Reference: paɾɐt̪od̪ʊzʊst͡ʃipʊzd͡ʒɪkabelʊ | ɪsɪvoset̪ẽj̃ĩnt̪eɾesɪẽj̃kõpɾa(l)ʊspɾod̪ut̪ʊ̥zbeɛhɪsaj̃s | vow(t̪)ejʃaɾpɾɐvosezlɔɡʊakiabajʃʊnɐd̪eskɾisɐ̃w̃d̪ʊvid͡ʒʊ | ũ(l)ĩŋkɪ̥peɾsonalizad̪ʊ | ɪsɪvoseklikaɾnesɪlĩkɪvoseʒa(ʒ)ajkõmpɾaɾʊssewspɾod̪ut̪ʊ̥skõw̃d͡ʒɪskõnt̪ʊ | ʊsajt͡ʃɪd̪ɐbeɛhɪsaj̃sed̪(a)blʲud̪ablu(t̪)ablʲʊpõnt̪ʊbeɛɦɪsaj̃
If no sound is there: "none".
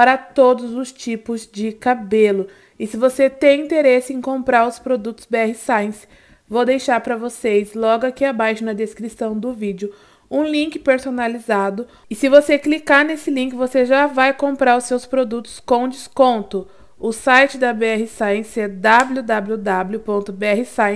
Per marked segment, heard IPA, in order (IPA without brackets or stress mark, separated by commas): ɾ, d̪, l, v, a, d̪